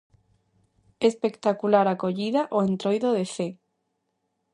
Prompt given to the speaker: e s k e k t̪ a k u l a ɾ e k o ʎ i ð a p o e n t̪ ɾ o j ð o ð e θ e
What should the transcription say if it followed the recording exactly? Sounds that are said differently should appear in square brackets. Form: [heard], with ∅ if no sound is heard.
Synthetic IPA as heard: e s [p] e k t̪ a k u l a ɾ [a] k o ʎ i ð a [ʔ] o e n t̪ ɾ o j ð o ð e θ e